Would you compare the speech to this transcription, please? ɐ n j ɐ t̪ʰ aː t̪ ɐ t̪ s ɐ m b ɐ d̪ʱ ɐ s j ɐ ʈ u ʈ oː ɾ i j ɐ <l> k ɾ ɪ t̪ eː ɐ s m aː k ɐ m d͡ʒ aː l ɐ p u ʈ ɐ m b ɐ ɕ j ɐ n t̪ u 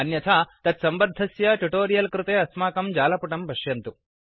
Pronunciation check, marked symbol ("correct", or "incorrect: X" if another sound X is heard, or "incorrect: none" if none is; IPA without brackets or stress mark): correct